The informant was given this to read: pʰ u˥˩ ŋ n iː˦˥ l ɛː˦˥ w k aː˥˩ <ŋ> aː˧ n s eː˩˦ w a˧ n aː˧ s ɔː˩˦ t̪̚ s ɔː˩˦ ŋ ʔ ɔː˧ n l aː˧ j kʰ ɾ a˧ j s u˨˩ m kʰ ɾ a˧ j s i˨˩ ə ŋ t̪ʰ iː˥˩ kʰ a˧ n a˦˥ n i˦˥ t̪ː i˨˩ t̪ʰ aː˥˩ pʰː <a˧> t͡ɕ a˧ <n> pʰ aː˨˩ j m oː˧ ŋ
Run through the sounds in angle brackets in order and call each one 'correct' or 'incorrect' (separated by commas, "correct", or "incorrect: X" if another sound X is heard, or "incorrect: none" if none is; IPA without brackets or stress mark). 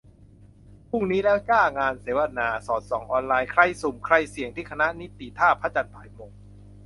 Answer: correct, incorrect: a˦˥, correct